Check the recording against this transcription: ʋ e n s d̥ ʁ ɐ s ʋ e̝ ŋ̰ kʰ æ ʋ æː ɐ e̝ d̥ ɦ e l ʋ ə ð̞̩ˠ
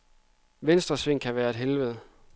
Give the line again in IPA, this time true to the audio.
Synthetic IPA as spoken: ʋ e n s d̥ ʁ ɐ s ʋ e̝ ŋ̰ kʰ æ ʋ æː ɐ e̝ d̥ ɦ e l ʋ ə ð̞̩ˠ